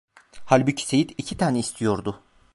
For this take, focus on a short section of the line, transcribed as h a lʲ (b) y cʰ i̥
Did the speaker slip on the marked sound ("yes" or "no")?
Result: no